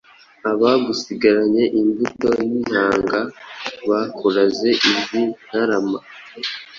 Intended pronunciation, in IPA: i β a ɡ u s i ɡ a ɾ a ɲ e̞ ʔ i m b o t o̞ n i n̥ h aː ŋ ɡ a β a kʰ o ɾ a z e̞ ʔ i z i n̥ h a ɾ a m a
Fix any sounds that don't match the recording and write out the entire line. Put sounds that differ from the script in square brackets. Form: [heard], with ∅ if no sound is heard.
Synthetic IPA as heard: [a] β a ɡ u s i ɡ a ɾ a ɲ e̞ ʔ i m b [u] t o̞ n i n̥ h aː ŋ ɡ a β a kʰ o ɾ a z e̞ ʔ i z i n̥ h a ɾ a m a